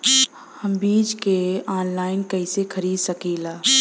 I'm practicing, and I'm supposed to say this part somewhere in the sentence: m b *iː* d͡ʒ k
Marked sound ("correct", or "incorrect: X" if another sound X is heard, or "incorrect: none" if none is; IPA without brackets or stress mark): correct